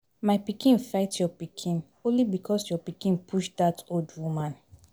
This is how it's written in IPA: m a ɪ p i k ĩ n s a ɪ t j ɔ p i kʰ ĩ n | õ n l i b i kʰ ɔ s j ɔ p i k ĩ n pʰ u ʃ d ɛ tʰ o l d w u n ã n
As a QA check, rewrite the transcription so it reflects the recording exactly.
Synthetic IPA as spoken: m a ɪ p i k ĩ n f a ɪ t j ɔ p i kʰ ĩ n | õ n l i b i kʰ ɔ s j ɔ p i k ĩ n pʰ u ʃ d a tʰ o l d w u m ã n

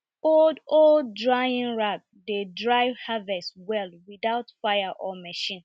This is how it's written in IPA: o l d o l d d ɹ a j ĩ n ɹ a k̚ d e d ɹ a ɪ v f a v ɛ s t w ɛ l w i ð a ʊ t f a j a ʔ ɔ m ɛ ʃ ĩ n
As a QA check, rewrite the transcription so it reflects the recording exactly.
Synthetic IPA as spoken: o l d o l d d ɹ a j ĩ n ɹ a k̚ d e d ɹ a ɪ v h a v ɛ s t w ɛ l w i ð a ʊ t f a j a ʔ ɔ m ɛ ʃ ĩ n

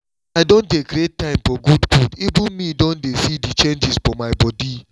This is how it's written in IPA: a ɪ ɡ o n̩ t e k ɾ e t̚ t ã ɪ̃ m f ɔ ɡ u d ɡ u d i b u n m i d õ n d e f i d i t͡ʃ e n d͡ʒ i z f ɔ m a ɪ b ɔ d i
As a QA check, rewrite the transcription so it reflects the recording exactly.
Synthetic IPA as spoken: a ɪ d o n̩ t e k ɾ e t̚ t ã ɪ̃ m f ɔ ɡ u d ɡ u d i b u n m i d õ n d e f i d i t͡ʃ e n d͡ʒ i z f ɔ m a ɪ b ɔ d i

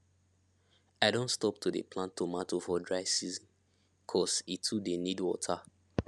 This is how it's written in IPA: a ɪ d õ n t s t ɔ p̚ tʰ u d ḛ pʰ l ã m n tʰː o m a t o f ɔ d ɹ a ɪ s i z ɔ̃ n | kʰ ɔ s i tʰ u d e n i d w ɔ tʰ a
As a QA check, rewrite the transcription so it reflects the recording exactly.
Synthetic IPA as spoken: a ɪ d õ n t s t ɔ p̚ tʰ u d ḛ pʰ l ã n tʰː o m a t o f ɔ d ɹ a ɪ s i z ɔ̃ n | kʰ ɔ s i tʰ u d e n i d w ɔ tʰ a

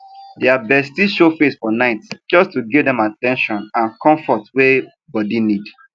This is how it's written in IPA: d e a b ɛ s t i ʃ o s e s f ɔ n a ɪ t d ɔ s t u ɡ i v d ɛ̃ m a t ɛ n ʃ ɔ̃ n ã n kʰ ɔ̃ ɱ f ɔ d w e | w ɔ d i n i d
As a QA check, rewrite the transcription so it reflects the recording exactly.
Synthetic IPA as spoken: d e a b ɛ s t i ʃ o f e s f ɔ n a ɪ t d͡ʒ ɔ s t u ɡ i v d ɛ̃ m a t ɛ̃ n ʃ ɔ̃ n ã n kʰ ɔ̃ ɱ f ɔ t w e | b ɔ d i n i d

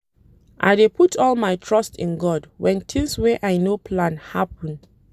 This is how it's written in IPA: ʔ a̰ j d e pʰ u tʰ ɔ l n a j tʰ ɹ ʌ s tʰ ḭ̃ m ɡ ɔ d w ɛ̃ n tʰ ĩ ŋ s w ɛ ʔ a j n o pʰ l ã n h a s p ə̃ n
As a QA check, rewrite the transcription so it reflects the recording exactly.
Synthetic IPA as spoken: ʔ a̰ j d e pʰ u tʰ ɔ l m a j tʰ ɹ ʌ s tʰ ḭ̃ n ɡ ɔ d w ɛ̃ n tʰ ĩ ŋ s w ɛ ʔ a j n o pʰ l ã n h a p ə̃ n

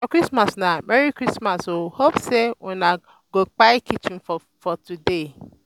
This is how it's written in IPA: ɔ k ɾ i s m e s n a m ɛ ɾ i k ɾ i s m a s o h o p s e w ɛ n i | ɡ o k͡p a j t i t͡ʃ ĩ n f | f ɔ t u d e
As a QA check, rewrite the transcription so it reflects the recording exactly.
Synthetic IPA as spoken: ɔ k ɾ i s m a s n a m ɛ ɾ i k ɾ i s m a s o h o p s e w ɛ n a | ɡ o k͡p a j k i t͡ʃ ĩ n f | f ɔ t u d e

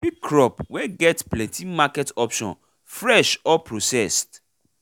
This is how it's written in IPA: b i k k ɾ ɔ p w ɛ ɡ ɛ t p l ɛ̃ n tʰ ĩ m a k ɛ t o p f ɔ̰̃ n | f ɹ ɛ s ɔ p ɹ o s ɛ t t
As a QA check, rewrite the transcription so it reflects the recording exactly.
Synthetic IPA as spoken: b i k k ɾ ɔ p w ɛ ɡ ɛ t p l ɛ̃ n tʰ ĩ m a k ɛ t ɔ p ʃ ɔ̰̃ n | f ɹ ɛ ʃ ɔ p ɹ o s ɛ s t

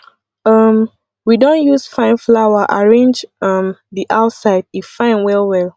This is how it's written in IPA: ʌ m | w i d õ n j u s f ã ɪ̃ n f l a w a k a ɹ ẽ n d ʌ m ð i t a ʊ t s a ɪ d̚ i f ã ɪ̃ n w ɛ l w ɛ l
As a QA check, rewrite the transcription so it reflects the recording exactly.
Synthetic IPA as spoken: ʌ m | w i d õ n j u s f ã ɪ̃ n f l a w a ʔ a ɹ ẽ n d͡ʒ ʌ m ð i ʔ a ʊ t s a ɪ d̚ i f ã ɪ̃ n w ɛ l w ɛ l

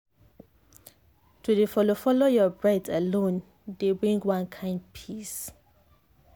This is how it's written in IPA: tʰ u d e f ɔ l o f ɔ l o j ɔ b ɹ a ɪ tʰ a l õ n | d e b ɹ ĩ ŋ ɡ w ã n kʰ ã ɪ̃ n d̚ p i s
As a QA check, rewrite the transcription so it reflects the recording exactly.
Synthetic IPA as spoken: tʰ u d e f ɔ l o f ɔ l o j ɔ b ɹ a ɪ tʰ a l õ n | d e b ɹ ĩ ŋ ɡ w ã n kʰ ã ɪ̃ n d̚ pʰ i s

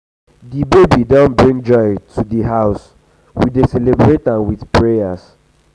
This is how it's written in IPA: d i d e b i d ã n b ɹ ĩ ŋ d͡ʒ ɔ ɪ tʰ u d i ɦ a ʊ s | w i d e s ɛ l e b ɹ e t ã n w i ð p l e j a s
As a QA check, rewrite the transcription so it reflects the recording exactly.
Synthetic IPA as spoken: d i b e b i d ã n b ɹ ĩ ŋ d͡ʒ ɔ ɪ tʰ u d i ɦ a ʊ s | w i d e s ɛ l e b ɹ e t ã n w i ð p ɹ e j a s

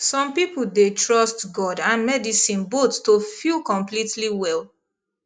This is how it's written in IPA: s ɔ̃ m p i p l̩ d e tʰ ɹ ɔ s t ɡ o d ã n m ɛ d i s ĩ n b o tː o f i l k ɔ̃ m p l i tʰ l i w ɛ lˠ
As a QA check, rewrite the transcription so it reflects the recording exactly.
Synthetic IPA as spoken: s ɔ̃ m p i p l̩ d e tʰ ɹ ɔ s t ɡ ɔ d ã n m ɛ d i s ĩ n b o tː o f i l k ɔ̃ m p l i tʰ l i w ɛ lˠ

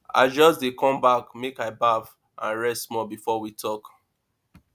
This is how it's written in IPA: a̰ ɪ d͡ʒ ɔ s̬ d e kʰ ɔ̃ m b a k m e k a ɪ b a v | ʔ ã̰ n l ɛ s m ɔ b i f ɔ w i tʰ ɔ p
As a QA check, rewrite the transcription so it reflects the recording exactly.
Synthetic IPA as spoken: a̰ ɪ d͡ʒ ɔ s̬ d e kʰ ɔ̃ m b a k m e k a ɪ b a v | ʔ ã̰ n ɹ ɛ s m ɔ b i f ɔ w i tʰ ɔ k

